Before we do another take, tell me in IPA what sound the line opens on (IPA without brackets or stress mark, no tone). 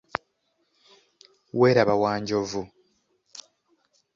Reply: w